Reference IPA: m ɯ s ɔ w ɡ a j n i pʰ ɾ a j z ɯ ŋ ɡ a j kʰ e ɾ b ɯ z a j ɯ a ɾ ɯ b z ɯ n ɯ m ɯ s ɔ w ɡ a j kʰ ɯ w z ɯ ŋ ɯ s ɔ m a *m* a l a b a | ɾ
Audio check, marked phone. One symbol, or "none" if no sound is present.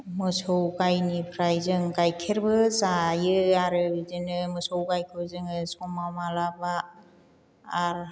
m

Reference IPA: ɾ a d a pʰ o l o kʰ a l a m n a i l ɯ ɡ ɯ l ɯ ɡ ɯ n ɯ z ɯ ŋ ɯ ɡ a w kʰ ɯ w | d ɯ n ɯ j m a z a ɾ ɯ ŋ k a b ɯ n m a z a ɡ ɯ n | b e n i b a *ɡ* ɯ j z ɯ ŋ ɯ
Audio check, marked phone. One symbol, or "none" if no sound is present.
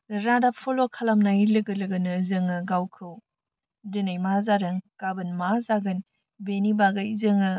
ɡ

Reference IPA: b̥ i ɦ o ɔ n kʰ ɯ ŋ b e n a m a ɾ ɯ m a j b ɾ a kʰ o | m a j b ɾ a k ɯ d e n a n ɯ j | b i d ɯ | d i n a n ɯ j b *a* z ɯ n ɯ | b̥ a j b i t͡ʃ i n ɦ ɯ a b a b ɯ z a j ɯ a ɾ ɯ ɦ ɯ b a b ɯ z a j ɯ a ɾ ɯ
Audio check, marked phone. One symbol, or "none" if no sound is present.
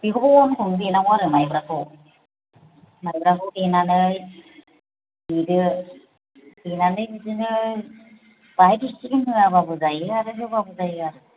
i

